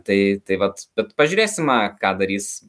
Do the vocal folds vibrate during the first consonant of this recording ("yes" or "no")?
no